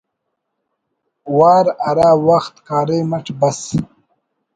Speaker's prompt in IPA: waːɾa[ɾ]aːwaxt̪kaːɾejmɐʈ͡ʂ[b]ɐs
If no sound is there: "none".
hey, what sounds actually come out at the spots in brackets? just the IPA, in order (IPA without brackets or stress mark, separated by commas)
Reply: ɾ, b